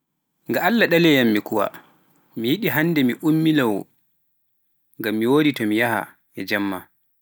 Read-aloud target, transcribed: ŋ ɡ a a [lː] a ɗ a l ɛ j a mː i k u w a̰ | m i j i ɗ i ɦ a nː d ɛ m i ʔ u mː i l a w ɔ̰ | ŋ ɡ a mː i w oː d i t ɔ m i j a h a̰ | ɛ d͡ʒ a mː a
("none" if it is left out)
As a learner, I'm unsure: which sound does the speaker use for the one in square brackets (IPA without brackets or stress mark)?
lː